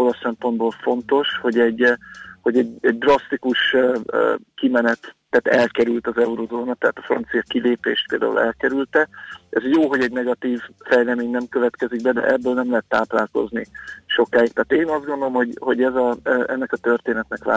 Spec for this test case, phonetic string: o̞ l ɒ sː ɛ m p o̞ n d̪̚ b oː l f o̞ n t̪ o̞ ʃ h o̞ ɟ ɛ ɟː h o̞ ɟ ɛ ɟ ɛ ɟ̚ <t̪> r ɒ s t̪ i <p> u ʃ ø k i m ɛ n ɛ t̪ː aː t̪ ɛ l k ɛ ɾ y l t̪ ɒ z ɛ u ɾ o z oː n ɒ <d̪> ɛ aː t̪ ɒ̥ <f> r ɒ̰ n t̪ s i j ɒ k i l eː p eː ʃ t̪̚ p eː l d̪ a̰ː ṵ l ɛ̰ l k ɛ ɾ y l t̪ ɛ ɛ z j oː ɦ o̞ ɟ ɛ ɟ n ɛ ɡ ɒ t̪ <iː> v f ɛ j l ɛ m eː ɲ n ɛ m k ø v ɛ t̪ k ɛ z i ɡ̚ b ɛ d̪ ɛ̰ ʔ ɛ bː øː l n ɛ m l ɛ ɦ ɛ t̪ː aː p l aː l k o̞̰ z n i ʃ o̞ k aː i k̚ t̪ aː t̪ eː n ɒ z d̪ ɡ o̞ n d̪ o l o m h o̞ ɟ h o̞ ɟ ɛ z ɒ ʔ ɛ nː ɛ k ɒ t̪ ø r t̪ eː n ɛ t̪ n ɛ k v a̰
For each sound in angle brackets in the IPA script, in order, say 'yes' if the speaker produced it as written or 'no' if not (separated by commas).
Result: no, no, no, yes, yes